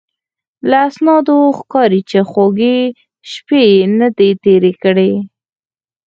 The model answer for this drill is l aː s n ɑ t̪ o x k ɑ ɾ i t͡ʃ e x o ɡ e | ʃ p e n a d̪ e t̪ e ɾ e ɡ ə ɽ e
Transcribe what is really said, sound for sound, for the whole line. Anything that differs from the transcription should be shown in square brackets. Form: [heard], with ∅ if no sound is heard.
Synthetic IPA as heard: l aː s n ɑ [d̪] o x k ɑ ɾ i t͡ʃ e x o ɡ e | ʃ p e n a d̪ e t̪ e ɾ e [k] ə ɽ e